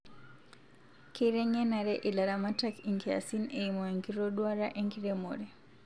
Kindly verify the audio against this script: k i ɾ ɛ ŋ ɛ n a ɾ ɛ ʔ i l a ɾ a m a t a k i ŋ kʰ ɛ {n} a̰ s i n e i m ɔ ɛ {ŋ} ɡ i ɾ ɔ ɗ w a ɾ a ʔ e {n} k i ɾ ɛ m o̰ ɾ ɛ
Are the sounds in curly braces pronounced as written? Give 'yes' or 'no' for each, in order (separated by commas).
no, yes, no